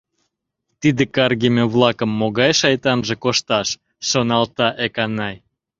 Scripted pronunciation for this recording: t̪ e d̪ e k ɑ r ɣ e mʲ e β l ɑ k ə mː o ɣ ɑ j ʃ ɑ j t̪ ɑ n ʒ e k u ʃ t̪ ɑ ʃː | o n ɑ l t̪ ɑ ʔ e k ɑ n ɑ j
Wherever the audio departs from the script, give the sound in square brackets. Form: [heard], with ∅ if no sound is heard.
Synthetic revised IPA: t̪ [i] d̪ e k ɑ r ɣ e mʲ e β l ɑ k ə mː o ɣ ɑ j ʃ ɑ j t̪ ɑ n ʒ e k [o] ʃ t̪ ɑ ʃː | o n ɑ l t̪ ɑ ʔ e k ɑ n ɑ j